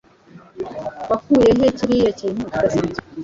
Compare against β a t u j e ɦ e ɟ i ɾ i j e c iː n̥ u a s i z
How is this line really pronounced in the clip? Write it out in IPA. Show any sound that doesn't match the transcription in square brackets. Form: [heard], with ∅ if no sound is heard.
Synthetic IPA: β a [k] u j e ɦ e [c] i ɾ i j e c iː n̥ u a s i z